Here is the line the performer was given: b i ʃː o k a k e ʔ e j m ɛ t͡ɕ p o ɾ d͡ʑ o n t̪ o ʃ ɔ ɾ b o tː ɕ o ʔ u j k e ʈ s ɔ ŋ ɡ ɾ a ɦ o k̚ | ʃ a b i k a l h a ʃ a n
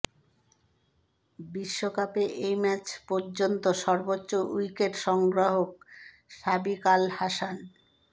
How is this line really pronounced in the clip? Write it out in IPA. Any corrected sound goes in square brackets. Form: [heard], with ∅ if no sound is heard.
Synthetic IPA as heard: b i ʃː o k a [p] e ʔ e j m ɛ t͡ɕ p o ɾ d͡ʑ o n t̪ o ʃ ɔ ɾ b o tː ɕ o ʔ u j k e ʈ [ʃ] ɔ ŋ ɡ ɾ a ɦ o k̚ | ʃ a b i k a l h a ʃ a n